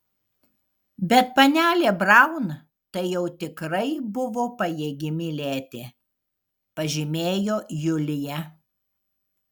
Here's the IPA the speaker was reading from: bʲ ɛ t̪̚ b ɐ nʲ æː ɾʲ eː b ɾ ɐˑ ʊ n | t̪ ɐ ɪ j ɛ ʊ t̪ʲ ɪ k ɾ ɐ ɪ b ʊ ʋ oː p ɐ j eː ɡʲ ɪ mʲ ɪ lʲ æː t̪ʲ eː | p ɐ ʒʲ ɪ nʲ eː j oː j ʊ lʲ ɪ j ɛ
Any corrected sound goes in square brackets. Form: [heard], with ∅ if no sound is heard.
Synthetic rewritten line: bʲ ɛ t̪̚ [p] ɐ nʲ æː [lʲ] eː b ɾ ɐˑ ʊ n | t̪ ɐ ɪ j ɛ ʊ t̪ʲ ɪ k ɾ ɐ ɪ b ʊ ʋ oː p ɐ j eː ɡʲ ɪ mʲ ɪ lʲ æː t̪ʲ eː | p ɐ ʒʲ ɪ [mʲ] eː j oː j ʊ lʲ ɪ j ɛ